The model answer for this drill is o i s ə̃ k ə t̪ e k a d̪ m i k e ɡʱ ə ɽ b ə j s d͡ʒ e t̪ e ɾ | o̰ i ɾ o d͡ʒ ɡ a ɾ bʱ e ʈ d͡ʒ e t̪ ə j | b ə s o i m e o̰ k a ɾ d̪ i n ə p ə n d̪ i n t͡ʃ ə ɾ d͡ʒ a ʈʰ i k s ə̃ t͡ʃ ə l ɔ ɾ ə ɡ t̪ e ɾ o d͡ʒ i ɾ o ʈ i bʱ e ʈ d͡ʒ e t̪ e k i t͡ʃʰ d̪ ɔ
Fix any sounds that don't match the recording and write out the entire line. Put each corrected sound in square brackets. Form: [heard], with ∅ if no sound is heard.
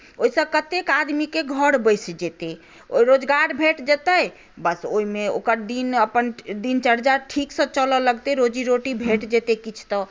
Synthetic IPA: o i s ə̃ k ə t̪ e k a d̪ m i k e ɡʱ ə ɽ b ə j s d͡ʒ e t̪ e [∅] | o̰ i ɾ o d͡ʒ ɡ a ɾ bʱ e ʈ d͡ʒ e t̪ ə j | b ə s o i m e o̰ k [ə] ɾ d̪ i n ə p ə n d̪ i n t͡ʃ ə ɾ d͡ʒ a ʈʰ i k s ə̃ t͡ʃ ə l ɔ [l] ə ɡ t̪ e ɾ o d͡ʒ i ɾ o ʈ i bʱ e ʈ d͡ʒ e t̪ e k i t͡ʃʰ [t̪] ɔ